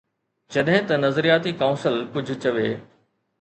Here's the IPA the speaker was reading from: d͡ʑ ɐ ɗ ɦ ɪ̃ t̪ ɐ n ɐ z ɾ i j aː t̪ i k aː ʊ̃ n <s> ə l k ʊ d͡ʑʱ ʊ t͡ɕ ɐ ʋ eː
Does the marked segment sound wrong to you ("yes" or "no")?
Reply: no